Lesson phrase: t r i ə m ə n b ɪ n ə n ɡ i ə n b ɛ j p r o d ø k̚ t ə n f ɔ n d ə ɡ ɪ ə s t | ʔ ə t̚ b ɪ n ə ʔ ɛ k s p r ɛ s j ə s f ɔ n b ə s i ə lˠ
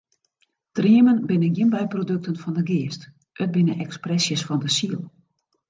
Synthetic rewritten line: t r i ə m ə n b ɪ n ə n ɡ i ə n b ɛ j p r o d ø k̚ t ə n f ɔ n d ə ɡ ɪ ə s t | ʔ ə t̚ b ɪ n ə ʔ ɛ k s p r ɛ s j ə s f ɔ n d ə s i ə lˠ